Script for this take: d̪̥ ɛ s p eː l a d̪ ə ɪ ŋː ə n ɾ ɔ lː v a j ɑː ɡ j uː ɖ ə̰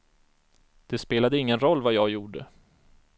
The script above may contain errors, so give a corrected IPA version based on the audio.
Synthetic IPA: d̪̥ ɛ s p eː l a d̪ ə ɪ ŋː ə n ɾ ɔ lː v a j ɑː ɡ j uː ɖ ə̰